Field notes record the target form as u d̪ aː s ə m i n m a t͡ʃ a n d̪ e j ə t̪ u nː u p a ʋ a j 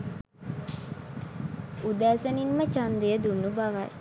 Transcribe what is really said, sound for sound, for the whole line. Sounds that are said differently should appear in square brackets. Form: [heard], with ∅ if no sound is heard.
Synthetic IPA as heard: u d̪ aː s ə [n] i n m [ə] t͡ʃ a n d̪ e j ə [d̪] u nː u [b] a ʋ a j